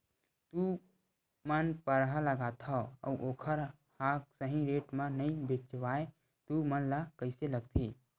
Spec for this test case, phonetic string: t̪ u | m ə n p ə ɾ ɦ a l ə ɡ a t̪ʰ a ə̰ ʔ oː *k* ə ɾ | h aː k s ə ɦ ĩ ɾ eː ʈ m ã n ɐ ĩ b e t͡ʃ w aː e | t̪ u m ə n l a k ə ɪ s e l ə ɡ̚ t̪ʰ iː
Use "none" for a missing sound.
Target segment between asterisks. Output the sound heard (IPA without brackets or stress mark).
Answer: kʰ